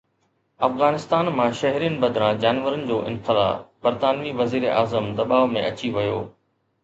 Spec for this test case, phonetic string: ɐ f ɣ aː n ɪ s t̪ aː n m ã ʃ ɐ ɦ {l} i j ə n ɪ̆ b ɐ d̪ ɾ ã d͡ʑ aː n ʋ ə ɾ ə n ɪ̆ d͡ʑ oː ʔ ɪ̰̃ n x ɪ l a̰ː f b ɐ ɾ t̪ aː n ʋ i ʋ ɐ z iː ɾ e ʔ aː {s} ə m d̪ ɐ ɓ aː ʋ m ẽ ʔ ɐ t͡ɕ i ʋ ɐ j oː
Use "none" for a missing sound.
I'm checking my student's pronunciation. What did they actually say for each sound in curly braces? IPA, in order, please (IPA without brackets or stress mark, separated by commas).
ɾ, z